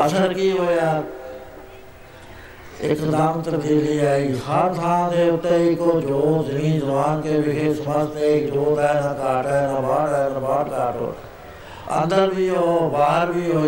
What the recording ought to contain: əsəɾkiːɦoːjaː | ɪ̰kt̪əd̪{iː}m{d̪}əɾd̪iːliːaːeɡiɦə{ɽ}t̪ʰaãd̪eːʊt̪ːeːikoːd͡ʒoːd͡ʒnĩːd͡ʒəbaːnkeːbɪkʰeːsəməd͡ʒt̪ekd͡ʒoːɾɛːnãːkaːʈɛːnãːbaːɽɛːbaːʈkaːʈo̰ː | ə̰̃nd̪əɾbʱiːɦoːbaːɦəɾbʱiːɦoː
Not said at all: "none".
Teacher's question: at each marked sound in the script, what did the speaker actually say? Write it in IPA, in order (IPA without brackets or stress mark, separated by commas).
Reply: aː, t̪, ɾ